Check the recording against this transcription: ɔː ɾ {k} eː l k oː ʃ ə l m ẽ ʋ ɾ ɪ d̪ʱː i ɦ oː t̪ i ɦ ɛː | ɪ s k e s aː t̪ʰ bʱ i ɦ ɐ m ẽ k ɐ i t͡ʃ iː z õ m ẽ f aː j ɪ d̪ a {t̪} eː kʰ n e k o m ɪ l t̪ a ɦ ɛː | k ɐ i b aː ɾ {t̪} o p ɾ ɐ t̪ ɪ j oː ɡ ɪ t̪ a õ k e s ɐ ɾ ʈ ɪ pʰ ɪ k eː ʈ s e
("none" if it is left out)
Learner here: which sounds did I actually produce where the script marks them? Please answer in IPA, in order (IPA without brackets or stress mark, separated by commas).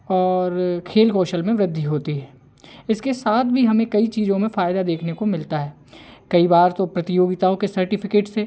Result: kʰ, d̪, t̪